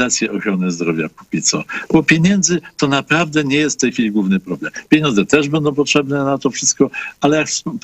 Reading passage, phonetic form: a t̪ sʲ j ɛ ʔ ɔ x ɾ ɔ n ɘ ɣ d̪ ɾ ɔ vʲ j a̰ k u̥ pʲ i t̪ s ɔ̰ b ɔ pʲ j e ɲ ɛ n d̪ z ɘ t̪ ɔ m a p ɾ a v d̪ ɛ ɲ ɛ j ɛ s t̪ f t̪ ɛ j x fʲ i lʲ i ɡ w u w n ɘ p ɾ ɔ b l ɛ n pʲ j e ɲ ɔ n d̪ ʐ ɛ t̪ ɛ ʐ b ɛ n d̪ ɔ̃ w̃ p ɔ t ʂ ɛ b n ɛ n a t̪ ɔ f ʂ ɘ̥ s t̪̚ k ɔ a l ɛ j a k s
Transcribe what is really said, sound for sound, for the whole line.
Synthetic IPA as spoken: a t̪ sʲ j ɛ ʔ ɔ x ɾ ɔ n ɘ z d̪ ɾ ɔ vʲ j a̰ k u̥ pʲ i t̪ s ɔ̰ b ɔ pʲ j e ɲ ɛ n d̪ z ɘ t̪ ɔ n a p ɾ a v d̪ ɛ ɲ ɛ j ɛ s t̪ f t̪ ɛ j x fʲ i lʲ i ɡ w u v n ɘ p ɾ ɔ b l ɛ m pʲ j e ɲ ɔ n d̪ z ɛ t̪ ɛ ʐ b ɛ n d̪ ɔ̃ w̃ p ɔ t ʂ ɛ b n ɛ n a t̪ ɔ f ʂ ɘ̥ s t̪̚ k ɔ a l ɛ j a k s